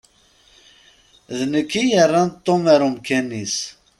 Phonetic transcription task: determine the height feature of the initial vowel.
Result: mid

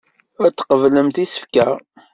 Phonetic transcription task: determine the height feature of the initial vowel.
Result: low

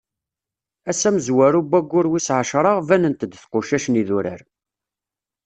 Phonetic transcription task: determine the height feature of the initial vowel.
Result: low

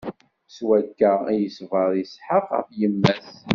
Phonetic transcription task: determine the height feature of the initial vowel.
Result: low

